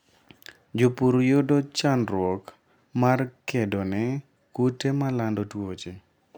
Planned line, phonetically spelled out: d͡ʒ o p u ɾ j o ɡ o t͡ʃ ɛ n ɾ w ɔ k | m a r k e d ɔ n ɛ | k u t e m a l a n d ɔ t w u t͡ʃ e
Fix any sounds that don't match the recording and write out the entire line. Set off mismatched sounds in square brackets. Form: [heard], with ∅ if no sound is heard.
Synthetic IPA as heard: d͡ʒ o p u ɾ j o [d] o t͡ʃ [a] n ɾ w ɔ k | m a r k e d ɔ n ɛ | k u t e m a l a n d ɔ t w [o] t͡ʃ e